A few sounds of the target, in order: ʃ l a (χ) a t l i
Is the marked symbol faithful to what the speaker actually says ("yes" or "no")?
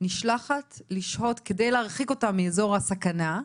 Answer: yes